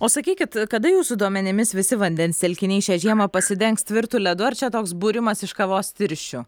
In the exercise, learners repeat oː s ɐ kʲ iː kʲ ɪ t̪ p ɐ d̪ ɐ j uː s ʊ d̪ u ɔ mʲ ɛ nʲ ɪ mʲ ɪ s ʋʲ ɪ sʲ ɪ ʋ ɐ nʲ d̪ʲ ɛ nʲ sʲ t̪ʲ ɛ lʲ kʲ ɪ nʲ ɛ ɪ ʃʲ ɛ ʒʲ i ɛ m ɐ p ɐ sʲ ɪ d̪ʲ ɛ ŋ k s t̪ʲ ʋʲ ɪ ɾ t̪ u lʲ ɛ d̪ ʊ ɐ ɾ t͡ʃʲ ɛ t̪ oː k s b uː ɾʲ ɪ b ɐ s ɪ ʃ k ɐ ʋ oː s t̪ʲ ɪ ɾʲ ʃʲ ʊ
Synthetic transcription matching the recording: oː s ɐ kʲ iː kʲ ɪ t̪ k ɐ d̪ ɐ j uː s ʊ d̪ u ɔ mʲ ɛ nʲ ɪ mʲ ɪ s ʋʲ ɪ sʲ ɪ ʋ ɐ nʲ d̪ʲ ɛ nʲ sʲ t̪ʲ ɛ lʲ kʲ ɪ nʲ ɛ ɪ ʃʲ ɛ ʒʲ i ɛ m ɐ p ɐ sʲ ɪ d̪ʲ ɛ ŋ k s t̪ʲ ʋʲ ɪ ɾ t̪ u lʲ ɛ d̪ ʊ ɐ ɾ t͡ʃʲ ɛ t̪ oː k s b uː ɾʲ ɪ m ɐ s ɪ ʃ k ɐ ʋ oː s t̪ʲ ɪ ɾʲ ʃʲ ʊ

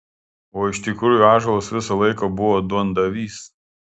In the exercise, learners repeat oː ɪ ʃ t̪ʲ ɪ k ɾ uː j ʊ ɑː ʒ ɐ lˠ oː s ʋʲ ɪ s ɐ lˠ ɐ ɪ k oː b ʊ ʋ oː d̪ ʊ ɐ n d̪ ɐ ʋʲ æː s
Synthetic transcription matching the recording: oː ɪ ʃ t̪ʲ ɪ k ɾ uː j ʊ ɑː ʒ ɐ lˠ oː s ʋʲ ɪ s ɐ lˠ ɐ ɪ k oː b ʊ ʋ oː d̪ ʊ ɐ n d̪ ɐ ʋʲ iː s

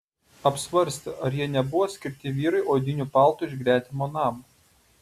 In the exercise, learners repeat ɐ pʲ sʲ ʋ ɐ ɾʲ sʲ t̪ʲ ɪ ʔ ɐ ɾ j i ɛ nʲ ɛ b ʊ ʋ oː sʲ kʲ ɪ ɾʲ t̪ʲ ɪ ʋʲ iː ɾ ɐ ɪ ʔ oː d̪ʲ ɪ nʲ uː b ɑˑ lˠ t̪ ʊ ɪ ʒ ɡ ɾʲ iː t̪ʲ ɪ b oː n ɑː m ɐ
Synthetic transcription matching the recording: ɐ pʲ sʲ ʋ ɐ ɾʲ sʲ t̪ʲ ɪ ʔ ɐ ɾ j i ɛ nʲ ɛ b ʊ ʋ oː sʲ kʲ ɪ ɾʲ t̪ʲ ɪ ʋʲ iː ɾ ɐ ɪ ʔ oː d̪ʲ ɪ nʲ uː p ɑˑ lˠ t̪ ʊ ɪ ʒ ɡ ɾʲ æː t̪ʲ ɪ m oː n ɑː m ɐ

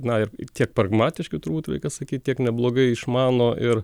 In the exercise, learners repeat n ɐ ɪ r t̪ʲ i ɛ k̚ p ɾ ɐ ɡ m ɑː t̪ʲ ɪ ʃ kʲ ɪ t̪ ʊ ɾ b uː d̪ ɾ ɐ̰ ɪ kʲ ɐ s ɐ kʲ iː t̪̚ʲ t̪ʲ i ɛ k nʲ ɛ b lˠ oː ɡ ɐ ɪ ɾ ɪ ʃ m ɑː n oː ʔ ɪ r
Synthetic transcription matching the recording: n ɐ ɪ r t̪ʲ i ɛ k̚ p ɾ ɐ ɡ m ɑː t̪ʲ ɪ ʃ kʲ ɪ t̪ ʊ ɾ b uː t̪ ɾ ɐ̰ ɪ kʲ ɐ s ɐ kʲ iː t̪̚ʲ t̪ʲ i ɛ k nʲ ɛ b lˠ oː ɡ ɐ ɪ ɪ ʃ m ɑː n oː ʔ ɪ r

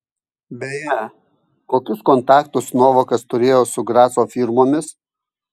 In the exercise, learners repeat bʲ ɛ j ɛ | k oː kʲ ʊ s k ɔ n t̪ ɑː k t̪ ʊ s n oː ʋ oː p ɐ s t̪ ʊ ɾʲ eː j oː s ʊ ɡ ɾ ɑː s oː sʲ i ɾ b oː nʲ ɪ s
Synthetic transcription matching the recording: bʲ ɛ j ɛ | k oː kʲ ʊ s k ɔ n t̪ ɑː k t̪ ʊ s n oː ʋ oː k ɐ s t̪ ʊ ɾʲ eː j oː s ʊ ɡ ɾ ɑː s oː fʲ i ɾ m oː mʲ ɪ s

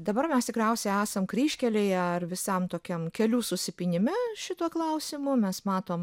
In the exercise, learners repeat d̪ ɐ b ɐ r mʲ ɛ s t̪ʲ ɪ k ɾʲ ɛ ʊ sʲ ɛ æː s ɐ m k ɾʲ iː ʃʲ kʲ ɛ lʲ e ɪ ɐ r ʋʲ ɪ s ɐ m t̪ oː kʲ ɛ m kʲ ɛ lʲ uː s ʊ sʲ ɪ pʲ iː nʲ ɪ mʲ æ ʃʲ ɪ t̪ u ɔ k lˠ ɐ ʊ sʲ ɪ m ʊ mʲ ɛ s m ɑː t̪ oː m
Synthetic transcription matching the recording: d̪ ɐ b ɐ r mʲ ɛ s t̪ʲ ɪ k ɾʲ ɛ ʊ sʲ ɛ æː s ɐ m k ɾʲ iː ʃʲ kʲ ɛ lʲ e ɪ ɐ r ʋʲ ɪ s ɐ m t̪ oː kʲ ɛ m kʲ ɛ lʲ uː s ʊ sʲ ɪ pʲ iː nʲ ɪ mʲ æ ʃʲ ɪ t̪ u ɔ k lˠ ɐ ʊ sʲ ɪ m ʊ mʲ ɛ s m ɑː t̪ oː m

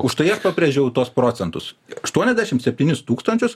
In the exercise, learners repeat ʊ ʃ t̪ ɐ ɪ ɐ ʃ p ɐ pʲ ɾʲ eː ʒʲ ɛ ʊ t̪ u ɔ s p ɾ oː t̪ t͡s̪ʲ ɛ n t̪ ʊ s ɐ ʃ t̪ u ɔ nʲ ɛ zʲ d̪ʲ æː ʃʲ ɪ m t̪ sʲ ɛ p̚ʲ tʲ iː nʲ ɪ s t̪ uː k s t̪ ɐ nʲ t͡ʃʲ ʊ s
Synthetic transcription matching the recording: ʊ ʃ t̪ ɐ ɪ ɐ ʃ p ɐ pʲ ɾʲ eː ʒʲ ɛ ʊ t̪ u ɔ s p ɾ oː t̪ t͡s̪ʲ ɛ n t̪ ʊ s ɐ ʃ t̪ u ɔ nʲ ɛ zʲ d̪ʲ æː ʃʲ ɪ m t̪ sʲ ɛ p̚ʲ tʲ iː nʲ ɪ s t̪ uː k s t̪ ɐ nʲ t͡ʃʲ ʊ s

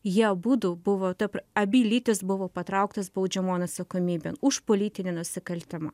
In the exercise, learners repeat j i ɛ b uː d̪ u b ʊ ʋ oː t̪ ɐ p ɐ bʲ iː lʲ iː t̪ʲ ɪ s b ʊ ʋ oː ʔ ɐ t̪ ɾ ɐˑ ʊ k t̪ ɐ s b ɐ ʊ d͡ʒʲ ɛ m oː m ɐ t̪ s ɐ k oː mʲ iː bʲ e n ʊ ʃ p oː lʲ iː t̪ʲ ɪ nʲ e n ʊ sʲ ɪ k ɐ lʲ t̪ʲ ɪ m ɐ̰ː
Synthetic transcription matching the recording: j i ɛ b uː d̪ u b ʊ ʋ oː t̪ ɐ p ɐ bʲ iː lʲ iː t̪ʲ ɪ s b ʊ ʋ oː p ɐ t̪ ɾ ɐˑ ʊ k t̪ ɐ s b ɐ ʊ d͡ʒʲ ɛ m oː n ɐ t̪ s ɐ k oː mʲ iː bʲ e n ʊ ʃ p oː lʲ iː t̪ʲ ɪ nʲ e n ʊ sʲ ɪ k ɐ lʲ t̪ʲ ɪ m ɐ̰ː

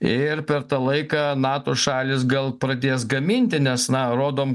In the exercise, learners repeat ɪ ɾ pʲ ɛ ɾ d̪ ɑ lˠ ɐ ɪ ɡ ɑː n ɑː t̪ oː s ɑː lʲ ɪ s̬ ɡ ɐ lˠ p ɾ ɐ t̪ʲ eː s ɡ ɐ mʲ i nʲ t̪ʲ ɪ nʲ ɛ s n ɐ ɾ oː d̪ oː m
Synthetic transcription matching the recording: ɪ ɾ pʲ ɛ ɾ t̪ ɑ lˠ ɐ ɪ k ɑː n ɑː t̪ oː ʃ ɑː lʲ ɪ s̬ ɡ ɐ lˠ p ɾ ɐ d̪ʲ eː s ɡ ɐ mʲ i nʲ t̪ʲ ɪ nʲ ɛ s n ɐ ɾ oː d̪ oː m

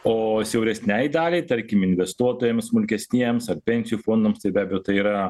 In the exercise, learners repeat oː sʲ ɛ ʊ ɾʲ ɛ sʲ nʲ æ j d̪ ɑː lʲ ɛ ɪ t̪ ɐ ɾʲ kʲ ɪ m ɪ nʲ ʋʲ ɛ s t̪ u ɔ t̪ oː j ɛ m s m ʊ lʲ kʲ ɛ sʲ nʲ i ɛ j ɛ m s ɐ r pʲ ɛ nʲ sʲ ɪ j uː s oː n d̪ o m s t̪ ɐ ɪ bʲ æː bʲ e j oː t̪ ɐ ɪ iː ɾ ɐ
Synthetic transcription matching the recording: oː sʲ ɛ ʊ ɾʲ ɛ sʲ nʲ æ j d̪ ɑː lʲ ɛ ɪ t̪ ɐ ɾʲ kʲ ɪ m ɪ nʲ ʋʲ ɛ s t̪ u ɔ t̪ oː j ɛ m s m ʊ lʲ kʲ ɛ sʲ nʲ i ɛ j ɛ m s ɐ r pʲ ɛ nʲ sʲ ɪ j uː f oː n d̪ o m s t̪ ɐ ɪ bʲ æː bʲ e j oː t̪ ɐ ɪ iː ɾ ɐ

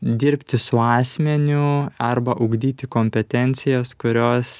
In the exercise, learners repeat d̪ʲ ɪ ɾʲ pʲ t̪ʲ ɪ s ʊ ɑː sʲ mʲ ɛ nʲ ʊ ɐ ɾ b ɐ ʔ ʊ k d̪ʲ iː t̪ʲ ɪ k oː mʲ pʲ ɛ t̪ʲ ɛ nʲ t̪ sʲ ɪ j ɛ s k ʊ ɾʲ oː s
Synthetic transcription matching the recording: d̪ʲ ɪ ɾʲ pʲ t̪ʲ ɪ s ʊ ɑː sʲ mʲ ɛ nʲ ʊ ɐ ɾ b ɐ ʔ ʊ ɡ d̪ʲ iː t̪ʲ ɪ k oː mʲ pʲ ɛ t̪ʲ ɛ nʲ t̪ sʲ ɪ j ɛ s k ʊ ɾʲ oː s

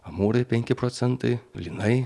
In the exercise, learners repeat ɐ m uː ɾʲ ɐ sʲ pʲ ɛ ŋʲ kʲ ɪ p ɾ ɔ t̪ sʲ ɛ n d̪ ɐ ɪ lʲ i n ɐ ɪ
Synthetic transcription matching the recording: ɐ m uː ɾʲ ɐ pʲ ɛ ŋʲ kʲ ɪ p ɾ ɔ t̪ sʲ ɛ n t̪ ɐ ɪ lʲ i n ɐ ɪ

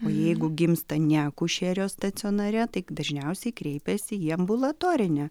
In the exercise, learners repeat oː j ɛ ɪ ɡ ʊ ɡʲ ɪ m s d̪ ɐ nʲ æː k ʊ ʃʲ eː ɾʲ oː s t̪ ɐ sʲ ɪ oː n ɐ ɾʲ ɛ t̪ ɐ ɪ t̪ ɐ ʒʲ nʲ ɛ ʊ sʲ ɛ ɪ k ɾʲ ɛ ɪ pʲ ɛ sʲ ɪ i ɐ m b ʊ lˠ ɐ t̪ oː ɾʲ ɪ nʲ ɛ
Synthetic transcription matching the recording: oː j ɛ ɪ ɡ ʊ ɡʲ ɪ m s t̪ ɐ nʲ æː k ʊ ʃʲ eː ɾʲ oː s t̪ ɐ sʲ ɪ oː n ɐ ɾʲ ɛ t̪ ɐ ɪ d̪ ɐ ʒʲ nʲ ɛ ʊ sʲ ɛ ɪ k ɾʲ ɛ ɪ pʲ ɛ sʲ ɪ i ɐ m b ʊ lˠ ɐ t̪ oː ɾʲ ɪ nʲ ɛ

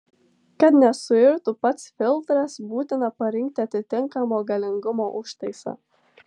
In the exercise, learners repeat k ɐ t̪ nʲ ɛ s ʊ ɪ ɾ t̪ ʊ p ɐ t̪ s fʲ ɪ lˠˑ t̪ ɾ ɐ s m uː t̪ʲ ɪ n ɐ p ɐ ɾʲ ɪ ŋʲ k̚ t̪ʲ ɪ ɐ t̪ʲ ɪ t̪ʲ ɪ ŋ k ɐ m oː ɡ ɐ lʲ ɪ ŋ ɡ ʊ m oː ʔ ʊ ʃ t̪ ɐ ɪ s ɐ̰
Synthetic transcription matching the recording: k ɐ t̪ nʲ ɛ s ʊ ɪ ɾ t̪ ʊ p ɐ t̪ s fʲ ɪ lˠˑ t̪ ɾ ɐ s b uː t̪ʲ ɪ n ɐ p ɐ ɾʲ ɪ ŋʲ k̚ t̪ʲ ɪ ɐ t̪ʲ ɪ t̪ʲ ɪ ŋ k ɐ m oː ɡ ɐ lʲ ɪ ŋ ɡ ʊ m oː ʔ ʊ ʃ t̪ ɐ ɪ s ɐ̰

